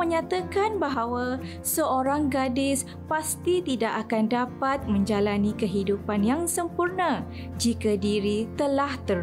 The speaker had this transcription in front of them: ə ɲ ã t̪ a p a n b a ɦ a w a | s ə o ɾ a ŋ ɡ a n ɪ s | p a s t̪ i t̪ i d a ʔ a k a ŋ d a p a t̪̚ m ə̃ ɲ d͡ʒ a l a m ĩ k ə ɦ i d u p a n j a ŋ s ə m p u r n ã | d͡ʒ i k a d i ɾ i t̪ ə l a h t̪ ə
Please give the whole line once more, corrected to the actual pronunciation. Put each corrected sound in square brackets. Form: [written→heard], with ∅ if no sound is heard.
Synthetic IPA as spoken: ə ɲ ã t̪ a [p→k] a n b a ɦ a w a | s ə o ɾ a ŋ ɡ a [n→d] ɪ s | p a s t̪ i t̪ i d a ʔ a k a [ŋ→n] d a p a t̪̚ m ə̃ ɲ d͡ʒ a l a [m→n] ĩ k ə ɦ i d u p a n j a ŋ s ə m p u r n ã | d͡ʒ i k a d i ɾ i t̪ ə l a h t̪ ə